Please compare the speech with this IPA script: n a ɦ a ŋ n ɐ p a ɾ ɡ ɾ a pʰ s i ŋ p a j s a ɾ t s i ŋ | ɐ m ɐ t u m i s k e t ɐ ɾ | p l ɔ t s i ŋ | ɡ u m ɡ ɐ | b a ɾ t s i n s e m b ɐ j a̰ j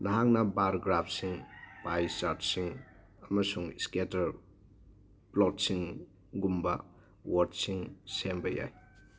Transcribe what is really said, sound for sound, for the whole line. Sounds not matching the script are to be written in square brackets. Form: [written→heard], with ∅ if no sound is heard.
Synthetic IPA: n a ɦ a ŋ n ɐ [p→b] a ɾ ɡ ɾ a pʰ s i ŋ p a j s a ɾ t s i ŋ | ɐ m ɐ [t→s] u [m→ŋ] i s k e t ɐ ɾ | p l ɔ t s i ŋ | ɡ u m [ɡ→b] ɐ | [b→w] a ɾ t s i [n→ŋ] s e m b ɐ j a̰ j